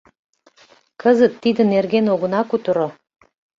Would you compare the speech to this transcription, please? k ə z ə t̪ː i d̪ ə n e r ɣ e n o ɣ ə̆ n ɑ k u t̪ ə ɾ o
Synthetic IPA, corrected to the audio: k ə z ə t̪ː i d̪ ə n e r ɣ e n o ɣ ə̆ n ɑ k u t̪ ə ɾ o

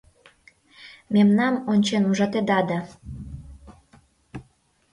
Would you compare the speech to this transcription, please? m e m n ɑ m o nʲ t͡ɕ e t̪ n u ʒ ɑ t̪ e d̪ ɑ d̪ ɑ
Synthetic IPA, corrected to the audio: m e m n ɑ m o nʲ t͡ɕ e n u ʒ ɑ t̪ e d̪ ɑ d̪ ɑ

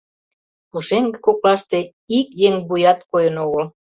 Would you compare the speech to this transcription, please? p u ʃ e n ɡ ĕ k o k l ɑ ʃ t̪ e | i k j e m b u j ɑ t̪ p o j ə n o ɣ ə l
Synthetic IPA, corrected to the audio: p u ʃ e ŋ ɡ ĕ k o k l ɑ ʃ t̪ e | i k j e ŋ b u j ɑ t̪ k o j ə n o ɣ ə l

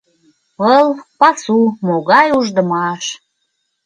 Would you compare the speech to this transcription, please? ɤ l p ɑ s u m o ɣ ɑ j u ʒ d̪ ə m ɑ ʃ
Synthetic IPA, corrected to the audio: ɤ l p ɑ s u m o ɣ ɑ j u ʒ d̪ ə m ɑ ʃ

